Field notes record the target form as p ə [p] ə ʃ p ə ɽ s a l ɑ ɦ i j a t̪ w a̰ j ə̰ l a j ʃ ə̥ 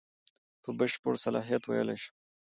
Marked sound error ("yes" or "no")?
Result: yes